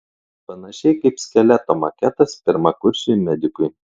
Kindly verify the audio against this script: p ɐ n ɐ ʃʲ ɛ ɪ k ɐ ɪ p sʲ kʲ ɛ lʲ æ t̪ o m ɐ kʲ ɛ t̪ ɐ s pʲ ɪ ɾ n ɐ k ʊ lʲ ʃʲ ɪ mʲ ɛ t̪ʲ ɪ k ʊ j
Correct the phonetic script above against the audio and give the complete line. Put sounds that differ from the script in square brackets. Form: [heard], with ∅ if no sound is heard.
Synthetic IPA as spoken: p ɐ n ɐ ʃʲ ɛ ɪ k ɐ ɪ p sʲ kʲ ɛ lʲ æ t̪ o m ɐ kʲ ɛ t̪ ɐ s pʲ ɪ ɾ [m] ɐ k ʊ [ɾʲ] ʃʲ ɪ mʲ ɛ [d̪ʲ] ɪ k ʊ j